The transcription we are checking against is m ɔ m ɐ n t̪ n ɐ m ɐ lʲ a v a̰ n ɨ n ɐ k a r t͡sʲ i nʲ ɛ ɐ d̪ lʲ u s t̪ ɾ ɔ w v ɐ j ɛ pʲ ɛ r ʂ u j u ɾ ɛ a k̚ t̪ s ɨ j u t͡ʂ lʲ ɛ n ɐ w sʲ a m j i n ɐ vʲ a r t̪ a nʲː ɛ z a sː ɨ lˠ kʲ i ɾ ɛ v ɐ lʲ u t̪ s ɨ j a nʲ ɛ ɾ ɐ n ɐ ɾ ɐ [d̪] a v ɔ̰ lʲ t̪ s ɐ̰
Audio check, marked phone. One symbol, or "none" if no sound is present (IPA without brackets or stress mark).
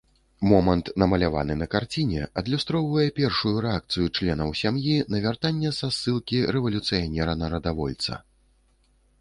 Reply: d̪